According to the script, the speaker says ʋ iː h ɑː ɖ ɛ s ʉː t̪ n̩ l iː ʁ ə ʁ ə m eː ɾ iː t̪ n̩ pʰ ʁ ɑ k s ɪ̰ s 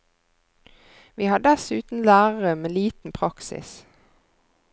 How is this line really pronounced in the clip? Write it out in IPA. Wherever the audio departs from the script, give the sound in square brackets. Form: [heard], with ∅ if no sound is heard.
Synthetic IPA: ʋ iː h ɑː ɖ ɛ s ʉː t̪ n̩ l [æː] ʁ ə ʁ ə m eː [l] iː t̪ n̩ pʰ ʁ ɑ k s ɪ̰ s